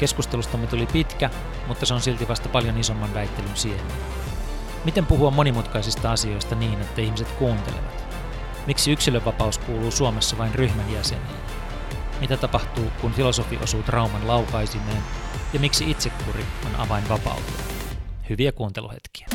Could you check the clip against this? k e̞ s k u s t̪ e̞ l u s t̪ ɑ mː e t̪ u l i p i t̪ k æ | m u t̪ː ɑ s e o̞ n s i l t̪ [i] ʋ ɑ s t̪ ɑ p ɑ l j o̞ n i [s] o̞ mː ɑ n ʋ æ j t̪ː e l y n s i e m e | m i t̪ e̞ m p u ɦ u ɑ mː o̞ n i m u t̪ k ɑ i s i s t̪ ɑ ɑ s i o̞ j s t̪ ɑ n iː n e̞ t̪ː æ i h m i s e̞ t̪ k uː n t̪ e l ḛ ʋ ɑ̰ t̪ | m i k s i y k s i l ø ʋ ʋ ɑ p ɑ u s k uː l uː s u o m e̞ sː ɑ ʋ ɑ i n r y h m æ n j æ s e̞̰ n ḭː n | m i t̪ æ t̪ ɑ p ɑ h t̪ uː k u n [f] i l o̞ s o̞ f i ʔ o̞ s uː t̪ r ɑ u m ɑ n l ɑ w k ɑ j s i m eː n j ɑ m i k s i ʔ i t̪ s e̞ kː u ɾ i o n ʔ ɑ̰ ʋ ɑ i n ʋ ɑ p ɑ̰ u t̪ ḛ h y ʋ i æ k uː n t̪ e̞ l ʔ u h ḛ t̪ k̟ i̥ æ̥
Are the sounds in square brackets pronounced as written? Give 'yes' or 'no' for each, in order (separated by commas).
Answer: yes, yes, yes